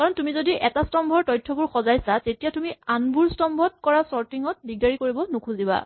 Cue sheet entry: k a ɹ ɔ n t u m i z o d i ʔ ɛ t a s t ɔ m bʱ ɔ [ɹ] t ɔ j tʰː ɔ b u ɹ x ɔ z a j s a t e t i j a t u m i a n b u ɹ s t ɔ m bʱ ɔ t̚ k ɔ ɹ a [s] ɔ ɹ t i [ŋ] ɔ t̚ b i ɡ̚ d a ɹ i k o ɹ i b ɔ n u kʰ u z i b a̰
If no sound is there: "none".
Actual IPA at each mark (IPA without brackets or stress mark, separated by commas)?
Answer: ɹ, s, ŋ